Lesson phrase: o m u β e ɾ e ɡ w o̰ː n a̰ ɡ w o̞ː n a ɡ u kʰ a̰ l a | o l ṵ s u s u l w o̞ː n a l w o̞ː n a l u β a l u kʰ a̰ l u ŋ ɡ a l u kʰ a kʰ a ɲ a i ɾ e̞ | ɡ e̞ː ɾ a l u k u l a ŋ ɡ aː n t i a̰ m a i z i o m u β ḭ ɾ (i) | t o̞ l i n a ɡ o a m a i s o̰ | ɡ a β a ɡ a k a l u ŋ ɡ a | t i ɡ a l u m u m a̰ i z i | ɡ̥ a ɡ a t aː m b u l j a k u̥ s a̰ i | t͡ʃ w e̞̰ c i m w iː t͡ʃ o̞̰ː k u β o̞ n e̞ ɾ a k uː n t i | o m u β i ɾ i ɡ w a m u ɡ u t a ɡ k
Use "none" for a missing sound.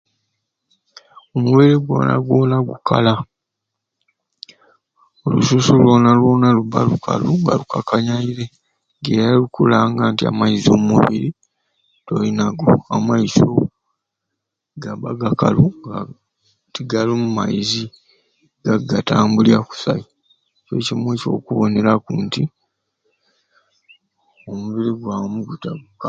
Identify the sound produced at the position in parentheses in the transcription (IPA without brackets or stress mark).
i